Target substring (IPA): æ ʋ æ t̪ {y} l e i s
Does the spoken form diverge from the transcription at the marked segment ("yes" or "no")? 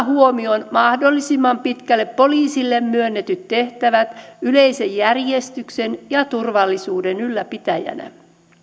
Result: no